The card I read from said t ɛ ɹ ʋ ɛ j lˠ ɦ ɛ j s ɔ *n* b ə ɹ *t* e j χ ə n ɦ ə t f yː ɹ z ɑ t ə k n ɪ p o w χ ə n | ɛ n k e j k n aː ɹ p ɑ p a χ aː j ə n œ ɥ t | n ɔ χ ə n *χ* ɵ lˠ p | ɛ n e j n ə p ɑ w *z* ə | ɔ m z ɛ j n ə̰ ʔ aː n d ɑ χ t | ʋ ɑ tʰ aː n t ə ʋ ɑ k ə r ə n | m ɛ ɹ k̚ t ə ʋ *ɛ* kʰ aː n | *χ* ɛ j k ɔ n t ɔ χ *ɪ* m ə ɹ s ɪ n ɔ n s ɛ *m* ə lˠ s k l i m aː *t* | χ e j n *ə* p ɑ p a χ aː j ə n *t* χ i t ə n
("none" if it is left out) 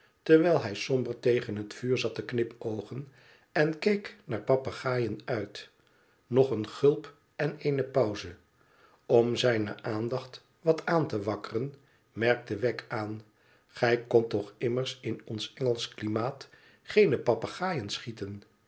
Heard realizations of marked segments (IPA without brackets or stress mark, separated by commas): m, t, χ, z, ɛ, χ, ɪ, ŋ, t, ə, s